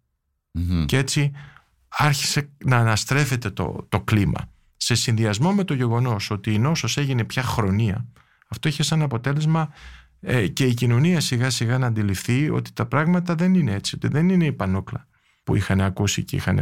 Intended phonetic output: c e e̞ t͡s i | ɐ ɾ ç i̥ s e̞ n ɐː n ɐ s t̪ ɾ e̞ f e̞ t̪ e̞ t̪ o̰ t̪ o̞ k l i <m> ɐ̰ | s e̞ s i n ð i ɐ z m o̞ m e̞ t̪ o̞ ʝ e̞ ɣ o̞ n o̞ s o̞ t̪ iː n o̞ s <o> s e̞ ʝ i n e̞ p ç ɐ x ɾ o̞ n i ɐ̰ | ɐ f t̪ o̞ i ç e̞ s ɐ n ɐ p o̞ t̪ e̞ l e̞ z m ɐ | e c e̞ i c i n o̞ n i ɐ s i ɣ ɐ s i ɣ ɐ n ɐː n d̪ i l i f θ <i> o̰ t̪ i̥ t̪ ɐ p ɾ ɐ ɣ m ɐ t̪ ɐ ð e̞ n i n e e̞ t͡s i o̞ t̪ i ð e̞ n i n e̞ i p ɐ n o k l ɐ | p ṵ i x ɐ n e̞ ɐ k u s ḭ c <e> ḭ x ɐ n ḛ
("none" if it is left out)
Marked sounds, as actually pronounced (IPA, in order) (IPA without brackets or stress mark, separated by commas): m, o, i, e